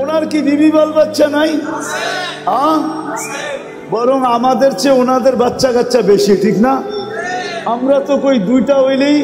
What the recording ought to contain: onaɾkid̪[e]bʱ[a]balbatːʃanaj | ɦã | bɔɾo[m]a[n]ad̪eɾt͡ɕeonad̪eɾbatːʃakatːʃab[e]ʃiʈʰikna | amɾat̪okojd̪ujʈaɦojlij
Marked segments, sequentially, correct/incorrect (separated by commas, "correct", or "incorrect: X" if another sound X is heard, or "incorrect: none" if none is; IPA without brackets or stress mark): incorrect: i, incorrect: i, incorrect: ŋ, incorrect: m, correct